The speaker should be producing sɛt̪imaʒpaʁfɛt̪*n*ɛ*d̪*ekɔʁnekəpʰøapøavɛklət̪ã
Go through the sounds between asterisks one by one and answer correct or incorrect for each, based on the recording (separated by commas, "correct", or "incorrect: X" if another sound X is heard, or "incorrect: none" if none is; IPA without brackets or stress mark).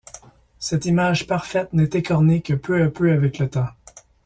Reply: correct, incorrect: t̪